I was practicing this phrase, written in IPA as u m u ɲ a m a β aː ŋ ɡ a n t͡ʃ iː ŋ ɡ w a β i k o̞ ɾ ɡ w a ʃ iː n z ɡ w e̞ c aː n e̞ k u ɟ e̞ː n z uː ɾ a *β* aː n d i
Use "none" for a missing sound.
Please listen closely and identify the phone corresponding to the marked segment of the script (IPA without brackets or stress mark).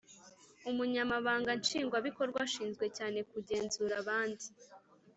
β